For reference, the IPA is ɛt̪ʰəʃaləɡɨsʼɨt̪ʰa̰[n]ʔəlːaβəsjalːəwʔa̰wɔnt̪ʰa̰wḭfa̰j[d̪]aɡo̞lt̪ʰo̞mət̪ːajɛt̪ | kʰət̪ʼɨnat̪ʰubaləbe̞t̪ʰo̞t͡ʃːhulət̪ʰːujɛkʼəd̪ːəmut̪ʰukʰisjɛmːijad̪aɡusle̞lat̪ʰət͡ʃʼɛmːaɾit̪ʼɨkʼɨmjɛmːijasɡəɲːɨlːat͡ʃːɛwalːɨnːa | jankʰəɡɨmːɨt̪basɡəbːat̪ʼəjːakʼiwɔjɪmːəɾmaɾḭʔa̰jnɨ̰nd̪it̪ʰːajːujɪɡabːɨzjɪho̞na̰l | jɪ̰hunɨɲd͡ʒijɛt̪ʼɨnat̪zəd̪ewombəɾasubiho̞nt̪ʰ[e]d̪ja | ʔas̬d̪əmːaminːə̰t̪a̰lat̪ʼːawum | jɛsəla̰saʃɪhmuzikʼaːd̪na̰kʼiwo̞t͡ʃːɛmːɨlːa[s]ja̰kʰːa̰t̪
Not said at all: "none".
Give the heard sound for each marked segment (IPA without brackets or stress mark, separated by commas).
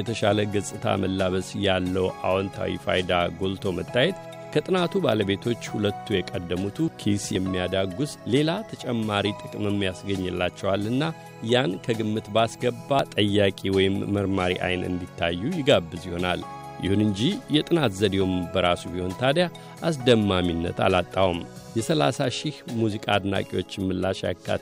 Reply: m, d̪, a, ʃ